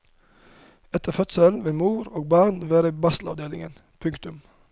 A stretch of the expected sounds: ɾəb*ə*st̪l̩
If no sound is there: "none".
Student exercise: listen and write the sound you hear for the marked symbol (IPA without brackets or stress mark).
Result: ɑ